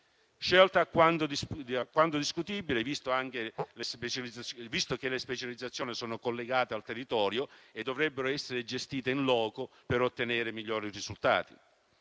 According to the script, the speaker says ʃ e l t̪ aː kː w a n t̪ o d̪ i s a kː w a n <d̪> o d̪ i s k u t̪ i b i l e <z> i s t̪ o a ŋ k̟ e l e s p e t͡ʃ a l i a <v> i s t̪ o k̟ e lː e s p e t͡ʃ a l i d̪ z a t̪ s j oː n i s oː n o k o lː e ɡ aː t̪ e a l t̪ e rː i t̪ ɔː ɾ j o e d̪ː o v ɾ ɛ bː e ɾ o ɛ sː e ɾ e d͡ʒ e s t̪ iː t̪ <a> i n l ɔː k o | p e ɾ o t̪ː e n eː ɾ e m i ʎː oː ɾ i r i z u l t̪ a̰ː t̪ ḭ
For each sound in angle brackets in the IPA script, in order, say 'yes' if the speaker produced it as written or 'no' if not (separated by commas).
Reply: no, no, yes, no